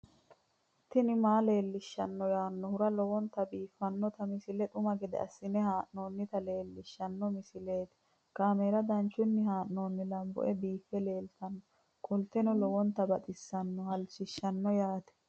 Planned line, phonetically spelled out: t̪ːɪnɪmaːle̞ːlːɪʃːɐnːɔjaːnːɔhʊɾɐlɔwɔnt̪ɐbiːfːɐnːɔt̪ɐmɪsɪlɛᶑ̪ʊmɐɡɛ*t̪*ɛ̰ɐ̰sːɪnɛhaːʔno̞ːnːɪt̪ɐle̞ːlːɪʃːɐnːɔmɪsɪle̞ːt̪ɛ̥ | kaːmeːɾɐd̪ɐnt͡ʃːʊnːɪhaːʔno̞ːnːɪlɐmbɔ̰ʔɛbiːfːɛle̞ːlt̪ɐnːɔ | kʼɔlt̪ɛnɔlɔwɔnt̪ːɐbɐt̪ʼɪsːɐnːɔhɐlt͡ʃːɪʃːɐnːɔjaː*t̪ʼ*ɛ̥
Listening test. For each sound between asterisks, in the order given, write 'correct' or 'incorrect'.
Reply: incorrect, incorrect

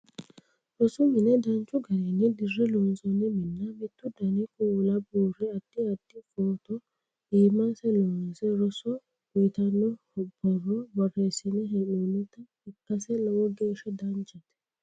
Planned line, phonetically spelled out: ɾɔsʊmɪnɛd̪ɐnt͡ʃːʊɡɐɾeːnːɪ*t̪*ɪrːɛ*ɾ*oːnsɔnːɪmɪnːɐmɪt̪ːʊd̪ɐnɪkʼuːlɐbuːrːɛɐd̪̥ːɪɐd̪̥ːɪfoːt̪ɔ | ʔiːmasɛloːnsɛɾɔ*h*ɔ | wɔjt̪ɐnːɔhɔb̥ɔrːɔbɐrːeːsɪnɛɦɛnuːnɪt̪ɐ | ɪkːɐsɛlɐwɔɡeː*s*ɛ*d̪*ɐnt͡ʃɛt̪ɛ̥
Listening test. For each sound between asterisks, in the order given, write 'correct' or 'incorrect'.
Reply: incorrect, incorrect, incorrect, incorrect, correct

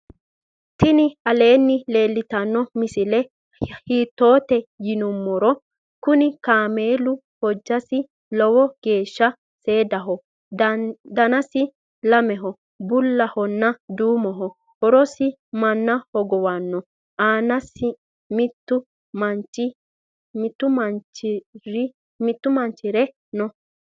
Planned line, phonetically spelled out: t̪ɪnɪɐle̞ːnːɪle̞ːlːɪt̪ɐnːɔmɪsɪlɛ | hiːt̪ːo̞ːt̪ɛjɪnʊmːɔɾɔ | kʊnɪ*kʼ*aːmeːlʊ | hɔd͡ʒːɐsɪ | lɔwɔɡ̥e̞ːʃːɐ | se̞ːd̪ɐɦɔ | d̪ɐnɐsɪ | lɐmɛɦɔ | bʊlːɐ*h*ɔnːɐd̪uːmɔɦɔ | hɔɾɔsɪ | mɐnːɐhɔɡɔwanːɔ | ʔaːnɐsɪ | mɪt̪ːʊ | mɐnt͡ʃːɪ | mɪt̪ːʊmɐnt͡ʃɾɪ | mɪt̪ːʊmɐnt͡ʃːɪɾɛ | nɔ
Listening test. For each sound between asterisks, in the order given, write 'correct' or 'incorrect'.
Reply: incorrect, correct

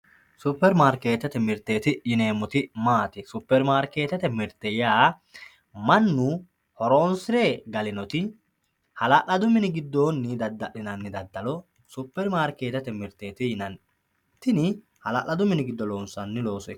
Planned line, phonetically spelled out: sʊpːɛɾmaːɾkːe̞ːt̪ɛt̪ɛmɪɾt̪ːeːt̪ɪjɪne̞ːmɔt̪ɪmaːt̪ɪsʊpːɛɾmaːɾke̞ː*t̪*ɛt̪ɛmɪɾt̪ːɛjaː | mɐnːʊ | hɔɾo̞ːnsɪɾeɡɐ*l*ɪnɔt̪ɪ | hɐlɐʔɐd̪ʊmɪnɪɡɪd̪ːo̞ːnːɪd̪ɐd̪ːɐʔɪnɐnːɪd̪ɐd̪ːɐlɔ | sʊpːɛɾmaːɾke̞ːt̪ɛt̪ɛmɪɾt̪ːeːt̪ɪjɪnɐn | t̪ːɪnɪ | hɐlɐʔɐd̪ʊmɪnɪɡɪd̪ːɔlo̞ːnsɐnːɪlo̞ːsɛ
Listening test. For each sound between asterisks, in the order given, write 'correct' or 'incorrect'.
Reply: correct, correct

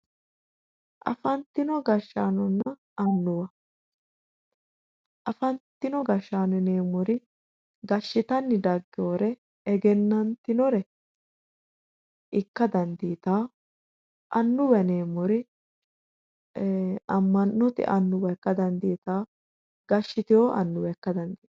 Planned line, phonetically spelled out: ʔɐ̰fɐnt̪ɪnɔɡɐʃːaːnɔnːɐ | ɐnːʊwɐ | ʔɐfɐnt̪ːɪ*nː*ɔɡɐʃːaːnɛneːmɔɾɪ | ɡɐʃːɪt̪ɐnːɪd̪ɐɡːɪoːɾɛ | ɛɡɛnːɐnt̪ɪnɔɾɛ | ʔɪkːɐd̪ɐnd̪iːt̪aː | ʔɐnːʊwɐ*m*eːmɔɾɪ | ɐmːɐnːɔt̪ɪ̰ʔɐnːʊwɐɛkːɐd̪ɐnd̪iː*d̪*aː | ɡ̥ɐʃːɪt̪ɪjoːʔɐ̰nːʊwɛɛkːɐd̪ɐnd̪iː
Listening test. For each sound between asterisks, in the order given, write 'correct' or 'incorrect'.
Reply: incorrect, incorrect, incorrect

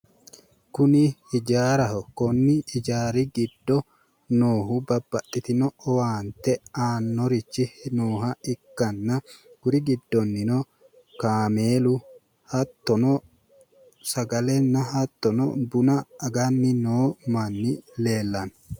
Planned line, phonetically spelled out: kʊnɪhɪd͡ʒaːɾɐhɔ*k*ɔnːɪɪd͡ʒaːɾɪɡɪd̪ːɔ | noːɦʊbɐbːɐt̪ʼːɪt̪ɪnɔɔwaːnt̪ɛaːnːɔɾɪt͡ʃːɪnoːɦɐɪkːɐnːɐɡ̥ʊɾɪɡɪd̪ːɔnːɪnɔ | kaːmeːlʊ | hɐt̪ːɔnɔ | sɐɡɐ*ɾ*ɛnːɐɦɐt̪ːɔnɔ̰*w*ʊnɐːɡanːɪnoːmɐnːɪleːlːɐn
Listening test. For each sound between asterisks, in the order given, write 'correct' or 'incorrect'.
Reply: correct, incorrect, incorrect

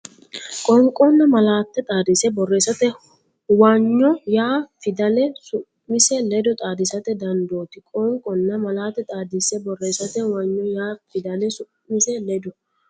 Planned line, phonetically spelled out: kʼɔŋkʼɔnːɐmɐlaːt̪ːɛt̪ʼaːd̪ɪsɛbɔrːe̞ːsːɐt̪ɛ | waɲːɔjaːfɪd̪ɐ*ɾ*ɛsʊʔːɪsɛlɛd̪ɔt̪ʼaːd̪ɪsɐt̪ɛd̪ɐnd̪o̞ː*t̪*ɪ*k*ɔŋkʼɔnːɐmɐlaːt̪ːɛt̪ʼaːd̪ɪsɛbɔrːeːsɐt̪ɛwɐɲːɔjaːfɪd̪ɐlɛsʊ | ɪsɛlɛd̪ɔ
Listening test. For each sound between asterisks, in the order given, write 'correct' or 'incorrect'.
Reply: incorrect, correct, incorrect

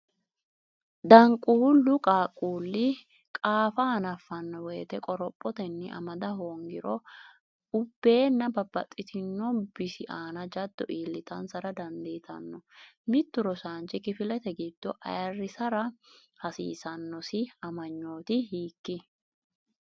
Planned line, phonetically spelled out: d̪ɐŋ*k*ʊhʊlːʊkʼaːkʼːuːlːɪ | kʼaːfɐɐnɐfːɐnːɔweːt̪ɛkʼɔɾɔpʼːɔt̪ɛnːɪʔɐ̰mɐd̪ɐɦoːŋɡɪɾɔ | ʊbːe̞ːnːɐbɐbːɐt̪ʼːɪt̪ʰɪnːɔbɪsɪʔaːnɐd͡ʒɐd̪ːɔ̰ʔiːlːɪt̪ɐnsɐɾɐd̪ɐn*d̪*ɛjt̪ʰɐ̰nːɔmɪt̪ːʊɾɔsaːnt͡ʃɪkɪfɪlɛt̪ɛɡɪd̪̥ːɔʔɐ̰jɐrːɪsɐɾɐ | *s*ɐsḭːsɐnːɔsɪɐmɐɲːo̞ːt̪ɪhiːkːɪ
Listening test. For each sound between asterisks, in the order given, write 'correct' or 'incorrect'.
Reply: incorrect, correct, incorrect

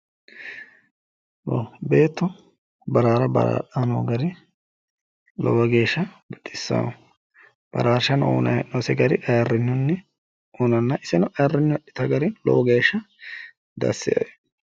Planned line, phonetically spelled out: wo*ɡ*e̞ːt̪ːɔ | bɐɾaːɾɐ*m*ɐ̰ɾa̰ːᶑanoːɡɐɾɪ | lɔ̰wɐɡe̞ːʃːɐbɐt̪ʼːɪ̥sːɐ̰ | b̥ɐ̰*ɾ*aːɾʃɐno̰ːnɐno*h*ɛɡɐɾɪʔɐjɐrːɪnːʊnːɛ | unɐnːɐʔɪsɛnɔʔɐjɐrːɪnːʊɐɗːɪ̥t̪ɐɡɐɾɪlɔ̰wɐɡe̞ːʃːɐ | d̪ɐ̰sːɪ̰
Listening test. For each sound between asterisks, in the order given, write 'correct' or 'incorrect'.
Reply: incorrect, incorrect, correct, incorrect

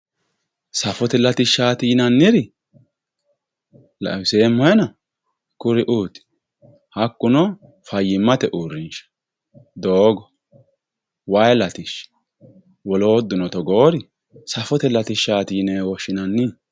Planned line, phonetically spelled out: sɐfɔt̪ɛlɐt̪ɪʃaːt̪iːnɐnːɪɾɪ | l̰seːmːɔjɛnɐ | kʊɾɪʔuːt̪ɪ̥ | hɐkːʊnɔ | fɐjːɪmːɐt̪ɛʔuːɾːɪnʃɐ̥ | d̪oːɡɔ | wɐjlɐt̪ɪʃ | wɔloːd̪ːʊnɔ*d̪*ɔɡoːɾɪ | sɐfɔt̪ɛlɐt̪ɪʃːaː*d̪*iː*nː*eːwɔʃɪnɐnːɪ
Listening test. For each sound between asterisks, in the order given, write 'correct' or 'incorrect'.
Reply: incorrect, incorrect, incorrect

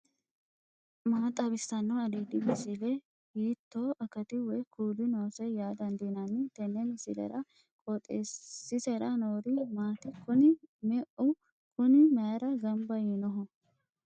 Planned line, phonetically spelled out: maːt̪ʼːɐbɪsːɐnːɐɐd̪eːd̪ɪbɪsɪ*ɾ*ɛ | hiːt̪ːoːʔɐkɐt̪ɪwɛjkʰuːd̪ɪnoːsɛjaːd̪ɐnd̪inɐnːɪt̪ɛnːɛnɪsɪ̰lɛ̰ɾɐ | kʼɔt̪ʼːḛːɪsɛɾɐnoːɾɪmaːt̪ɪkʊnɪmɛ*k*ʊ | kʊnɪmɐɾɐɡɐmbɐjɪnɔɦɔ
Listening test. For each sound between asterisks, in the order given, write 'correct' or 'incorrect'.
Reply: incorrect, incorrect

